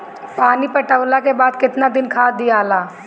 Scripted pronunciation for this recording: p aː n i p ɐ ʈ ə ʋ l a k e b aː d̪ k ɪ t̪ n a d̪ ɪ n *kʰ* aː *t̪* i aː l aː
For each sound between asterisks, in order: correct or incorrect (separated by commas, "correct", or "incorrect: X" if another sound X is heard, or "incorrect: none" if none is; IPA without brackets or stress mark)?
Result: correct, incorrect: d̪